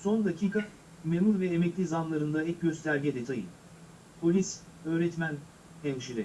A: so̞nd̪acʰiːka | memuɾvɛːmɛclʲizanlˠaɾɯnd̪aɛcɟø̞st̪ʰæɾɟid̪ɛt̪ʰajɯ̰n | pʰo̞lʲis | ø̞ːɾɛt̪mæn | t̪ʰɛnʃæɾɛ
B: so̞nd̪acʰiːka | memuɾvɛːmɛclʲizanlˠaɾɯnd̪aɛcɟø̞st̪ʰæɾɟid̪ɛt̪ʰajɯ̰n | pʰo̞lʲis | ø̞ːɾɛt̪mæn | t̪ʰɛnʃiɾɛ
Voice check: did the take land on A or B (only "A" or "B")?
B